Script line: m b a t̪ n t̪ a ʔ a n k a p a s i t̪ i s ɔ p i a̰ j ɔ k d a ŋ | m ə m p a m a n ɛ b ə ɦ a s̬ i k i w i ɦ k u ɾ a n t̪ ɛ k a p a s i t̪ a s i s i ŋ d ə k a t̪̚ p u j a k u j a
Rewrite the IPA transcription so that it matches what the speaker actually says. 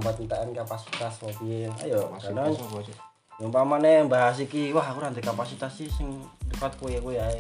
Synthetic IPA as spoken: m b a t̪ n t̪ a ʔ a n k a p a s i t̪ a s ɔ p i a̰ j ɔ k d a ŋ | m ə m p a m a n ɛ b a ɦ a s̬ i k i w a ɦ k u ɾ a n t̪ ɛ k a p a s i t̪ a s i s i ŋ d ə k a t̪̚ k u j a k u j a